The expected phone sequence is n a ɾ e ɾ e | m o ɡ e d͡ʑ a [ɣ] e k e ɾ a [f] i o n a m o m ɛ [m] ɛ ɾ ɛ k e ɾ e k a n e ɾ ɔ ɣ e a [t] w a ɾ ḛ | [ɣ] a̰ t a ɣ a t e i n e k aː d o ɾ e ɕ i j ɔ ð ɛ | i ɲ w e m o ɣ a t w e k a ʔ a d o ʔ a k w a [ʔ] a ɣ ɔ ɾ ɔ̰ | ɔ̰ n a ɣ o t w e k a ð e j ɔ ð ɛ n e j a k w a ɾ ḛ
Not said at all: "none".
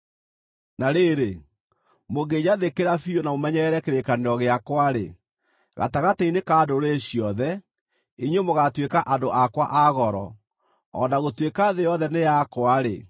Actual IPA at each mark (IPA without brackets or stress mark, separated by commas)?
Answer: ð, f, ɲ, k, ɣ, ʔ